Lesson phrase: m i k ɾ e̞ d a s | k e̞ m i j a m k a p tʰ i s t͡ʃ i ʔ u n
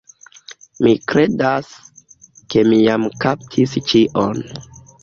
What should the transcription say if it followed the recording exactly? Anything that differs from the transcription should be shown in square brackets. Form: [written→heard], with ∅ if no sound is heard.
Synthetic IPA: m i k ɾ e̞ d a s | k e̞ m i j a m k a p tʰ i s t͡ʃ i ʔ [u→o] n